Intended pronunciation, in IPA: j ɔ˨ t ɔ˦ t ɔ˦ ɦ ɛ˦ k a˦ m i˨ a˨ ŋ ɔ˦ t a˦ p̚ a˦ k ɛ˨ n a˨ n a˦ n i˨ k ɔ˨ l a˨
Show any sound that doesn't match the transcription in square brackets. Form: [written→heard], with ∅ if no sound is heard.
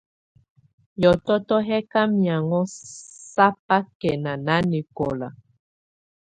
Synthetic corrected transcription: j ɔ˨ t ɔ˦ t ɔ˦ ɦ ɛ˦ k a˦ m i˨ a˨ ŋ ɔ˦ [t→s] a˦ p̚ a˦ k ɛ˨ n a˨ n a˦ n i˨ k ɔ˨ l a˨